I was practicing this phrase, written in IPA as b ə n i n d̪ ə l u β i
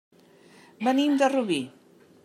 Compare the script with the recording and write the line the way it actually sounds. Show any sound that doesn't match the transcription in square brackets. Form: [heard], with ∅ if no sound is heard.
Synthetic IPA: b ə n i [m] d̪ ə [r] u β i

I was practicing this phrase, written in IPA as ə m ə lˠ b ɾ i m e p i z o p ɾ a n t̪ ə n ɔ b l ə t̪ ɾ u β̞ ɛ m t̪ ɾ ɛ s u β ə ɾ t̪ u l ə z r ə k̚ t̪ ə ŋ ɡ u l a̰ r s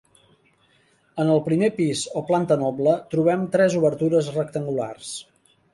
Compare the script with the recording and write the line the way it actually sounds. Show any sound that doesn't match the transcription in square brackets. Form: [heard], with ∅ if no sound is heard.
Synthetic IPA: ə [n] ə lˠ [p] ɾ i m e p i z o p [l] a n t̪ ə n ɔ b l ə t̪ ɾ u β̞ ɛ m t̪ ɾ ɛ [z] u β ə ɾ t̪ u [ɾ] ə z r ə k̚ t̪ ə ŋ ɡ u l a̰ r s

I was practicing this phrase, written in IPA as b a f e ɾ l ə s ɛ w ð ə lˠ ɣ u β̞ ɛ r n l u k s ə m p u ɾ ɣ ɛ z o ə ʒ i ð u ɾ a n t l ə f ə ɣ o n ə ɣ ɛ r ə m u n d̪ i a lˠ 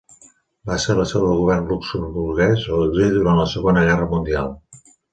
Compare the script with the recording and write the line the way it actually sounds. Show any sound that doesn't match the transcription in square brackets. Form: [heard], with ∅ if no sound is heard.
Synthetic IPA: b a [s] e ɾ l ə s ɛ w ð ə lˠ ɣ u β̞ ɛ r n l u k s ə m [b] u ɾ ɣ ɛ z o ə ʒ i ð u ɾ a n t l ə [s] ə ɣ o n ə ɣ ɛ r ə m u n d̪ i a lˠ

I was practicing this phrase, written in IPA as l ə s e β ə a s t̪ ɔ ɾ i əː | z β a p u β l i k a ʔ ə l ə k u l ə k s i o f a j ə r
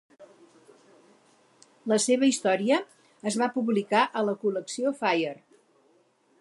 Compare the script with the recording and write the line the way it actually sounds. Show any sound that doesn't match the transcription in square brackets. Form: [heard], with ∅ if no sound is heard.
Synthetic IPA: l ə s e β ə [i] s t̪ ɔ ɾ i əː | z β a p u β l i k a ʔ ə l ə k u l ə k s i o f a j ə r

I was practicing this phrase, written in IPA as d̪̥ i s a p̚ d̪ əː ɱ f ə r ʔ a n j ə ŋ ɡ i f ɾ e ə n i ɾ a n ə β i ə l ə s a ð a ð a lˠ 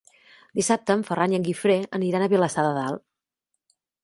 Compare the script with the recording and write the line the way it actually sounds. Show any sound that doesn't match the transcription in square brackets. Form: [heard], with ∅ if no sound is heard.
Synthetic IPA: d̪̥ i s a p̚ [t̪] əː ɱ f ə r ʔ a n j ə ŋ ɡ i f ɾ e ə n i ɾ a n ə β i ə l ə s a ð [ə] ð a lˠ

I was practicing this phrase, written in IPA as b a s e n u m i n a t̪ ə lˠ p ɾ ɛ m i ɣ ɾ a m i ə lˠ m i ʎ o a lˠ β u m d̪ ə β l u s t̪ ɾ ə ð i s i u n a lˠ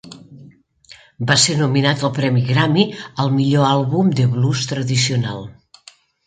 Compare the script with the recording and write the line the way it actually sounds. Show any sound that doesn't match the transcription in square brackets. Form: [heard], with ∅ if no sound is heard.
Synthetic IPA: b a s e n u m i n a t̪ ə lˠ p ɾ ɛ m i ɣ ɾ a m i ə lˠ m i ʎ o a lˠ β u m d̪ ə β l u s t̪ ɾ ə ð i s i u n a lˠ

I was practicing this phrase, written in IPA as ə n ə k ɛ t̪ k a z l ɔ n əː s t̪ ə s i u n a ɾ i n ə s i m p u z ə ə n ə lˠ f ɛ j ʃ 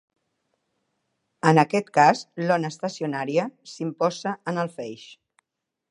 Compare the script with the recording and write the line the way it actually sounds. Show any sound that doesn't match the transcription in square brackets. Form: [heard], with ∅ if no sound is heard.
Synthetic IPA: ə n ə k ɛ t̪ k a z l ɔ n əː s t̪ ə s i u n a ɾ i [∅] ə s i m p [ɔ] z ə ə n ə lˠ f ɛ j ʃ

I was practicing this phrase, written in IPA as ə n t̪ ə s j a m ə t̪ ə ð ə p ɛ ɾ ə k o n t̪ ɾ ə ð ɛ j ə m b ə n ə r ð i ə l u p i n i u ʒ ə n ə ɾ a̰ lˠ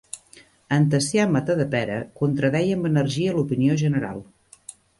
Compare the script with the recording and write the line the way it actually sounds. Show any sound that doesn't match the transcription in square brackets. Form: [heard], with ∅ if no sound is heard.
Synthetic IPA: ə n t̪ ə s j a m ə t̪ ə ð ə p ɛ ɾ ə k [u] n t̪ ɾ ə ð ɛ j ə m b ə n ə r [ʒ] i ə l u p i n i [o] ʒ ə n ə ɾ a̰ lˠ

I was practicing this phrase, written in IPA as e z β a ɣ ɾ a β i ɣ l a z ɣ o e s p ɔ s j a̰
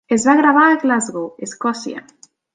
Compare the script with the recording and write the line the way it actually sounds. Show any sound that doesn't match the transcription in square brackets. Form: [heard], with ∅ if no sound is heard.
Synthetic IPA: e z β a ɣ ɾ a β [a] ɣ l a z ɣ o e s [k] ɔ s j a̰

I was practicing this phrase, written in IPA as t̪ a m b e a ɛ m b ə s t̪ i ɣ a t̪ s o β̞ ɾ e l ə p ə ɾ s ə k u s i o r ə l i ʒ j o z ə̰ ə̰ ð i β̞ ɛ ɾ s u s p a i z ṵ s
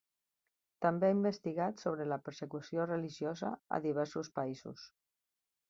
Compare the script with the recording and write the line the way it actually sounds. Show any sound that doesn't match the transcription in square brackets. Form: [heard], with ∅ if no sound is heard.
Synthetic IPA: t̪ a m b e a [i] m b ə s t̪ i ɣ a t̪ s o β̞ ɾ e l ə p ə ɾ s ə k u s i o r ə l i ʒ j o z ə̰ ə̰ ð i β̞ ɛ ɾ s u s p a i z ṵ s

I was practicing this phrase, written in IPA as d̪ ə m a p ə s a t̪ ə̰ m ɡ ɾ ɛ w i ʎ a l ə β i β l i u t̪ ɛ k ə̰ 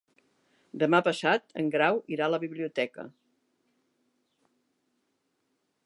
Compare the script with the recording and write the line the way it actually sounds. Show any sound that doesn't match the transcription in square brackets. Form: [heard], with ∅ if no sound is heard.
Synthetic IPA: d̪ ə m a p ə s a t̪ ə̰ [ŋ] ɡ ɾ [a] w i [ɾ] a l ə β i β l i u t̪ ɛ k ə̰

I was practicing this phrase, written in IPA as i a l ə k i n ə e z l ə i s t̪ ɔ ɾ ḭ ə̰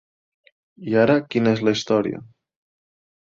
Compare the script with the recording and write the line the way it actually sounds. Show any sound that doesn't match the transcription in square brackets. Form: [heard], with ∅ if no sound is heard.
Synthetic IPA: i a [ɾ] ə k i n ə e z l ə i s t̪ ɔ ɾ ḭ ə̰

